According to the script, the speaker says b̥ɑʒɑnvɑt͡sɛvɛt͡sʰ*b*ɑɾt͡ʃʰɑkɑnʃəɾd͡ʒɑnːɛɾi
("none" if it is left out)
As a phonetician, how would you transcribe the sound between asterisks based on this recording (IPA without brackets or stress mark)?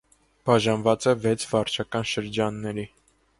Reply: v